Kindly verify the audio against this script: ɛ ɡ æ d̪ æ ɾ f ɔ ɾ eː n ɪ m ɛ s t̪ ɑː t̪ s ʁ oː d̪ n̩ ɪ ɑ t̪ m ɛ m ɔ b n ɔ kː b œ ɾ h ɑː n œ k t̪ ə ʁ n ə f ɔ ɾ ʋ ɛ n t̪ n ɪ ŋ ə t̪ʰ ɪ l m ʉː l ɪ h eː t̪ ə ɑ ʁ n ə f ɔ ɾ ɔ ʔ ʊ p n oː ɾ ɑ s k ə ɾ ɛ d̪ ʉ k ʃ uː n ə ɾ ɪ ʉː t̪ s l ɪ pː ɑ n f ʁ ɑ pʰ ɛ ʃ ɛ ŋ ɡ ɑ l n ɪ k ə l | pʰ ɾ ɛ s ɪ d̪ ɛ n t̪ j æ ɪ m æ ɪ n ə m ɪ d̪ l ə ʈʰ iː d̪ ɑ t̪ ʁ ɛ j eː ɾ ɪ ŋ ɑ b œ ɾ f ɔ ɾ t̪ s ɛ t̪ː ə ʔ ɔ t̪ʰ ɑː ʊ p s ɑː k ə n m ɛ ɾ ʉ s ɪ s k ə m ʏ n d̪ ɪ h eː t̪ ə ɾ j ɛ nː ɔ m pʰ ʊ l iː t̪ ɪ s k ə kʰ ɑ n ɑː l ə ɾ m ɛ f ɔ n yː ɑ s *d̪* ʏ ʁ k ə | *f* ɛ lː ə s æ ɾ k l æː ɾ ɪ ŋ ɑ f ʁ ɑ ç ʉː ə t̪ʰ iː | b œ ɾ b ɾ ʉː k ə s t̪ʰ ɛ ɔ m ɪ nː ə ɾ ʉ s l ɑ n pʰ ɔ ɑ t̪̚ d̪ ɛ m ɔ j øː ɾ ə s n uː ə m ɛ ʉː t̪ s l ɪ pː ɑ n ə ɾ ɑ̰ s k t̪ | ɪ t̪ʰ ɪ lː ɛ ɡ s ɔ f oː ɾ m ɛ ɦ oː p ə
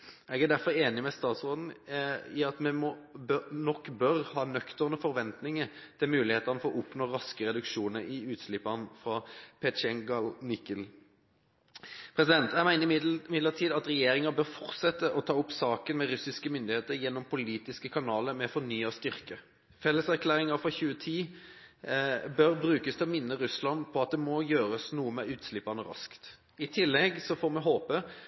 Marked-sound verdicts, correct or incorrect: incorrect, correct

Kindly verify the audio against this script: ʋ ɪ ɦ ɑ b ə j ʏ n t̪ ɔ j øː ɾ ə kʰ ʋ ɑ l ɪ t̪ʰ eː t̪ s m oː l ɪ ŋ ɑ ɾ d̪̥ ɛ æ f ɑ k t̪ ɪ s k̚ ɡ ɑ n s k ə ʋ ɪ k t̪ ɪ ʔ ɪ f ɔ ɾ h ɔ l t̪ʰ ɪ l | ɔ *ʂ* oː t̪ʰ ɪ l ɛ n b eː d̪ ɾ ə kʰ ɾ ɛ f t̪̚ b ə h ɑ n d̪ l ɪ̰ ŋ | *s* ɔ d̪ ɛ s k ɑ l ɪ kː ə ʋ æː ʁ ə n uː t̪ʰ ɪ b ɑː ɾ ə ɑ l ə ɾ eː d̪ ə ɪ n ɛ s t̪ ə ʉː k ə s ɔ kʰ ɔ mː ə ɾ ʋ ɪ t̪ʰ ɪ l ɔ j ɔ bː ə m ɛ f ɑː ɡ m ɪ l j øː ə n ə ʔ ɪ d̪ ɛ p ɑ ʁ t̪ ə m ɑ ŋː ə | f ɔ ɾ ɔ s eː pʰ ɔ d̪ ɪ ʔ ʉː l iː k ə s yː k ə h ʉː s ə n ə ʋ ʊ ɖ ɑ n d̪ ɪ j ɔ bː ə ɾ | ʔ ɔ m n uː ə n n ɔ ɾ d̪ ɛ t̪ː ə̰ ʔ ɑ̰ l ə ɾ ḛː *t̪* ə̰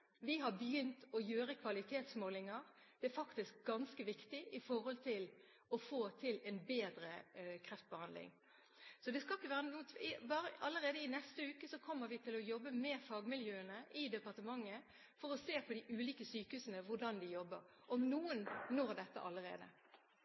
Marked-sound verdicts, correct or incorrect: incorrect, correct, incorrect

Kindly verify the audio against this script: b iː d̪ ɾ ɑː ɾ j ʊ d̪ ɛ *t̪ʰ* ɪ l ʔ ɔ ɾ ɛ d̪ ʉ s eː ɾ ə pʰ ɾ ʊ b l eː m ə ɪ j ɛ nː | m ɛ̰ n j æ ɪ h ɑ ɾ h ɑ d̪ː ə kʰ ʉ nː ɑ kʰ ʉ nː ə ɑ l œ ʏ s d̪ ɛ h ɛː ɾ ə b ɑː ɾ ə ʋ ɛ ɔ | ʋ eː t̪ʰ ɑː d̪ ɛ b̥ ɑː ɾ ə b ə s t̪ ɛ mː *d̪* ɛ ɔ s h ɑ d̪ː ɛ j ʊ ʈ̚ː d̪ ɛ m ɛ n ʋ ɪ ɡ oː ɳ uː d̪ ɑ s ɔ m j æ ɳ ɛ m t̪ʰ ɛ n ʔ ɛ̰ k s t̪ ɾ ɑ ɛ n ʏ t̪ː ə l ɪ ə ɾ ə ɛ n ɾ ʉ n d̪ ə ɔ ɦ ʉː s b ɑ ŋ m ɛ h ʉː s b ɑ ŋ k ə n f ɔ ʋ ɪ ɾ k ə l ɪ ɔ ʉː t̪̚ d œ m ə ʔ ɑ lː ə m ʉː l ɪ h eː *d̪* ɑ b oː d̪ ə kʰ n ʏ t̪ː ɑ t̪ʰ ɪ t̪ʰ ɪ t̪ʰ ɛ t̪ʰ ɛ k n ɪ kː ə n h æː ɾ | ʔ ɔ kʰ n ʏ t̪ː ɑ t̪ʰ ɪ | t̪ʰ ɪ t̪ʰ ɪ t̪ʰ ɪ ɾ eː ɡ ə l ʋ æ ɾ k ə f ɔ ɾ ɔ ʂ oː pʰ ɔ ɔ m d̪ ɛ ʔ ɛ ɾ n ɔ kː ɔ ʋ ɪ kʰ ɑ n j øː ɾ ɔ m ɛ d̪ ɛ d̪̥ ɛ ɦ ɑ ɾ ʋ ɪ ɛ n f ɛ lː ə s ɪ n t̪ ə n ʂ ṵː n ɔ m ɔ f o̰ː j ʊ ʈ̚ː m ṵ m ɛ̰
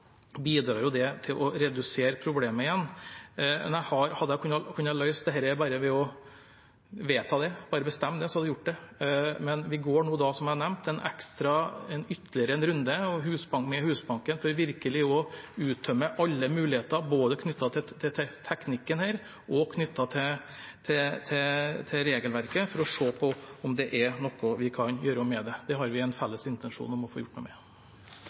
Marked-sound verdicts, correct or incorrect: correct, correct, incorrect

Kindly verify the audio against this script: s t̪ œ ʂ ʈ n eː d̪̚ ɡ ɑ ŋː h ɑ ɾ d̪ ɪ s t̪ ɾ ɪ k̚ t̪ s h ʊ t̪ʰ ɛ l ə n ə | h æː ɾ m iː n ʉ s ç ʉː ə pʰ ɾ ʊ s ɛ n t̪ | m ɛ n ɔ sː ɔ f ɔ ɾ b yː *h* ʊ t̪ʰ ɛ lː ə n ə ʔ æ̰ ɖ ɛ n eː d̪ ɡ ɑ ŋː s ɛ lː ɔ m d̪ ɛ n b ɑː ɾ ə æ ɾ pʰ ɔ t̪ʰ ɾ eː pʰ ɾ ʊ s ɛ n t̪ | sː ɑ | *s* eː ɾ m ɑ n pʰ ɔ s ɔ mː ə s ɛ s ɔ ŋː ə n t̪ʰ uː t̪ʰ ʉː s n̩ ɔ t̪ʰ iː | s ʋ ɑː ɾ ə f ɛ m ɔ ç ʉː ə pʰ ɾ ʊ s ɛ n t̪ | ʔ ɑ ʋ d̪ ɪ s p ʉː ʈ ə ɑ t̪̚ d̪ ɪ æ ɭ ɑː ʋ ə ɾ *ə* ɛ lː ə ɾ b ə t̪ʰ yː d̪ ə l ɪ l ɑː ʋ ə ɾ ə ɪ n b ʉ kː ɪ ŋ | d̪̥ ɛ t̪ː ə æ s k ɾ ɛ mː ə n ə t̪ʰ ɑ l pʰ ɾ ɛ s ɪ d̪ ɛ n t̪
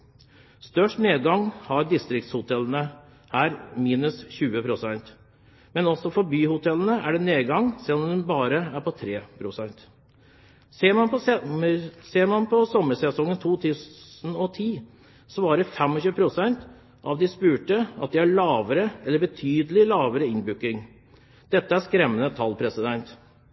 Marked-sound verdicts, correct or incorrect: correct, correct, correct

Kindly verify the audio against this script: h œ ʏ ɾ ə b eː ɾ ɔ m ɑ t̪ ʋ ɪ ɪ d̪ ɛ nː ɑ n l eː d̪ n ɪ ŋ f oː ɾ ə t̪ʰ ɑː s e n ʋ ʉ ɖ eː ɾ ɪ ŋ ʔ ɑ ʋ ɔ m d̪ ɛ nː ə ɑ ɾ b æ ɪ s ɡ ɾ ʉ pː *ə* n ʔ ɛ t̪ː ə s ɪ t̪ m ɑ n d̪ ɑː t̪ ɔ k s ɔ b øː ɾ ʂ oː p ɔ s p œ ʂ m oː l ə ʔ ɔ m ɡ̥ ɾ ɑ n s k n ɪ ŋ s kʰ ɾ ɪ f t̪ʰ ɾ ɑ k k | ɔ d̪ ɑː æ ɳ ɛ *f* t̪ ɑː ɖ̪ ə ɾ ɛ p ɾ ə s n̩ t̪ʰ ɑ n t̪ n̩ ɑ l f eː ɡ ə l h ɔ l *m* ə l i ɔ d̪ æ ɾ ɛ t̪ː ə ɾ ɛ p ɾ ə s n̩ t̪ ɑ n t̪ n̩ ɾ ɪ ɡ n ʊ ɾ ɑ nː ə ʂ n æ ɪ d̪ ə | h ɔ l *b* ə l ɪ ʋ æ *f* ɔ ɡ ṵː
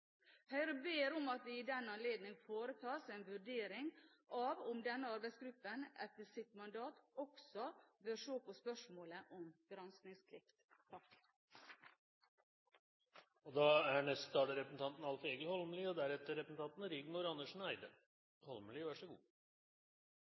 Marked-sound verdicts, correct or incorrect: correct, incorrect, correct, incorrect, incorrect

